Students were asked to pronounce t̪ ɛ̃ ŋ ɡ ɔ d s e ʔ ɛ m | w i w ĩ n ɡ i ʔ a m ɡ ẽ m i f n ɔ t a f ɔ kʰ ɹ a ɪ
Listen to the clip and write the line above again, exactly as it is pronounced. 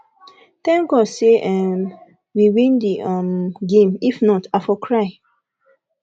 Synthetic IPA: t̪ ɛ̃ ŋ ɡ ɔ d s e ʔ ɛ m | w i w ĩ n d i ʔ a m ɡ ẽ m i f n ɔ t a f ɔ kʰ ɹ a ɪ